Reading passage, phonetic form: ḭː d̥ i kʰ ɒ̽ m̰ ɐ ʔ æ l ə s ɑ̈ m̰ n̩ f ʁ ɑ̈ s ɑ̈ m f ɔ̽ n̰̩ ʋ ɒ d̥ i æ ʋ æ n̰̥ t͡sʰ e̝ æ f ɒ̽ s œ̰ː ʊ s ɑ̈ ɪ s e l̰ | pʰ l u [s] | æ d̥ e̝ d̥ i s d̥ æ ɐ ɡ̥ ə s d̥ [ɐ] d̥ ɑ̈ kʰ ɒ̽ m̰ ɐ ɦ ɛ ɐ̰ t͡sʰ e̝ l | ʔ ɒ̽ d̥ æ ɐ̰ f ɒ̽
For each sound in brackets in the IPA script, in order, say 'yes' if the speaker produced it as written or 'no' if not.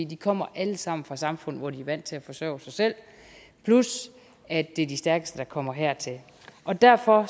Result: yes, no

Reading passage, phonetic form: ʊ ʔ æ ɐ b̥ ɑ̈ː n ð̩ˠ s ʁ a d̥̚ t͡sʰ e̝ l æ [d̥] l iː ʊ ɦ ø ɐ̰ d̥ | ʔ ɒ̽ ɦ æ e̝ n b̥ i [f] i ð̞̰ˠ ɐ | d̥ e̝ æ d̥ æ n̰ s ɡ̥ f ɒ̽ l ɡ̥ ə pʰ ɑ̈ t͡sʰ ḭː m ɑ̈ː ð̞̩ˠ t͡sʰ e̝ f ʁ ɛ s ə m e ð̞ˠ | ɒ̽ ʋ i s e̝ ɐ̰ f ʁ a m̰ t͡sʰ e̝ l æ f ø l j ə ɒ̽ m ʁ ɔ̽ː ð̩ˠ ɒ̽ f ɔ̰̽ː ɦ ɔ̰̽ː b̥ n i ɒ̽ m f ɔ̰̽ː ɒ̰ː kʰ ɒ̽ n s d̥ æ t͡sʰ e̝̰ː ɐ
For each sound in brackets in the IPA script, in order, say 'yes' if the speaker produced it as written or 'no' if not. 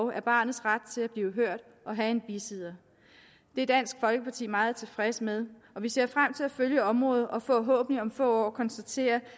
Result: no, no

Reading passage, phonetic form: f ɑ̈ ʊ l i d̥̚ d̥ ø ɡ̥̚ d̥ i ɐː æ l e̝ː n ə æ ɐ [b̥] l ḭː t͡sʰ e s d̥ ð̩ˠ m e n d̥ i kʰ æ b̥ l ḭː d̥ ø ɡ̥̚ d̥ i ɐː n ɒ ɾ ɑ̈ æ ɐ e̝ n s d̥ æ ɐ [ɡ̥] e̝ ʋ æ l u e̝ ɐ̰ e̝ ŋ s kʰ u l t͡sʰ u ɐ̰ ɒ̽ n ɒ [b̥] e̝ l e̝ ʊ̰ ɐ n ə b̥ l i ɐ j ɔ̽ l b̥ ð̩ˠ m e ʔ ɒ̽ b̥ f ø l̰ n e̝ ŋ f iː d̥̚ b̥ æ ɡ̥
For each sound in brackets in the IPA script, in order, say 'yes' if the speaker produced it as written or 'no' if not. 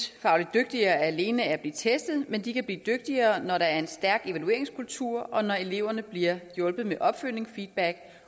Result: yes, yes, no

